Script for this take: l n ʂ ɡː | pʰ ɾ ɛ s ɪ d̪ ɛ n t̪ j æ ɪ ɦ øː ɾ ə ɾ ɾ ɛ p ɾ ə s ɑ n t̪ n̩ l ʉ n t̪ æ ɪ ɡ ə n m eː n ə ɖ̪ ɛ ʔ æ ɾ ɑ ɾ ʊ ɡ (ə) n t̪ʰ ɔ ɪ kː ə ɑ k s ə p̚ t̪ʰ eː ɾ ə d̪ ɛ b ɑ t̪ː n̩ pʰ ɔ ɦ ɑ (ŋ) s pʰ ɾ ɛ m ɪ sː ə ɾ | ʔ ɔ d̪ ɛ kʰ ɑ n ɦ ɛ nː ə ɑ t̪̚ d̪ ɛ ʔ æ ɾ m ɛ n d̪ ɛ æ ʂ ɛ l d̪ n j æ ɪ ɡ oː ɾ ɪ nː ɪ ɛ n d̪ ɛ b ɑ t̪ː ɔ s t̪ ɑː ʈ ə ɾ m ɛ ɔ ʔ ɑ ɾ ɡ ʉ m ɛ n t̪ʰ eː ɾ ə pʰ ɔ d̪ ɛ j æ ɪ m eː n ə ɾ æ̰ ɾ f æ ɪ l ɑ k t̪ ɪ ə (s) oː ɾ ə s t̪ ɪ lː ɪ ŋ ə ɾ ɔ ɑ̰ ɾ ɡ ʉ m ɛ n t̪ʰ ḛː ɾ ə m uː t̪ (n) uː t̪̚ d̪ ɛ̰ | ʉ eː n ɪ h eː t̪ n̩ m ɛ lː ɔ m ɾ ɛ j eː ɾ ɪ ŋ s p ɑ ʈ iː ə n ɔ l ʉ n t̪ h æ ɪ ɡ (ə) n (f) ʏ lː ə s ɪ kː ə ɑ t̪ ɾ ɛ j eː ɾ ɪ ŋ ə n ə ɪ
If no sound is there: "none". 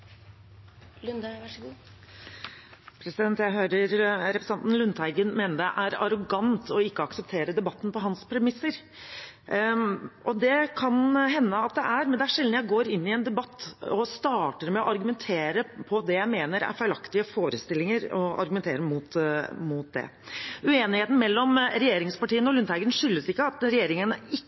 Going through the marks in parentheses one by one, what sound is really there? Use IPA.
ɑ, n, f, m, ə, ʂ

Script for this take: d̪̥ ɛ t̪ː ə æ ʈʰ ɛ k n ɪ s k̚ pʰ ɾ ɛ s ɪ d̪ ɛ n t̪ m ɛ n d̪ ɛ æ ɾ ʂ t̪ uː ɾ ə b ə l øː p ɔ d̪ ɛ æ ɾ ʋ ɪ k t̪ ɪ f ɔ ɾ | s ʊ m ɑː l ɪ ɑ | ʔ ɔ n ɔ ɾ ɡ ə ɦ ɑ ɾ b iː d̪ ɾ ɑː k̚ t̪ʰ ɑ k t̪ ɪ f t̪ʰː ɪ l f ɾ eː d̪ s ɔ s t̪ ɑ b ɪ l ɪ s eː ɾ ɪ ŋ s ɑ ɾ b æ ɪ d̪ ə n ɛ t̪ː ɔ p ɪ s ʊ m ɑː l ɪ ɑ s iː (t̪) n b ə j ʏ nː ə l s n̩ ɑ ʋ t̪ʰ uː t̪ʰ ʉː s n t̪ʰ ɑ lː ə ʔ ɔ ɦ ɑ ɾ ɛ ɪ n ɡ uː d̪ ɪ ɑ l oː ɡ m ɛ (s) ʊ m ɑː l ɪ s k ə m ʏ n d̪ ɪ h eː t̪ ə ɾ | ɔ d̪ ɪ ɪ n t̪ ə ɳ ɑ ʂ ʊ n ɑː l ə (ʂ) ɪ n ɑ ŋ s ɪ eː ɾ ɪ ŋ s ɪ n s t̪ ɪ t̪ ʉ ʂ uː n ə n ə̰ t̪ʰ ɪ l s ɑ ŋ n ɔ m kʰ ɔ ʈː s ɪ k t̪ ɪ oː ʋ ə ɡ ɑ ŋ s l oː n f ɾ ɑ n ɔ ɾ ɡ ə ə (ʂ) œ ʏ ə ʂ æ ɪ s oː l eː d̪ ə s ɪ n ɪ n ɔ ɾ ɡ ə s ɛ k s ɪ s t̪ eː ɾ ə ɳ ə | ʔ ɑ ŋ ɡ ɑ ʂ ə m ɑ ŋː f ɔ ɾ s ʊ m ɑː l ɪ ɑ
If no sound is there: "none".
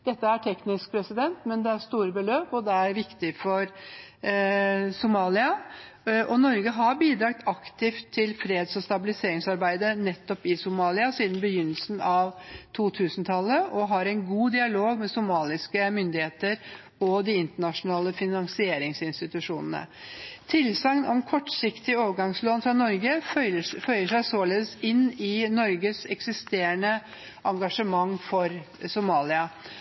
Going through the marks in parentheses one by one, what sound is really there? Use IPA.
d̪, s, f, f

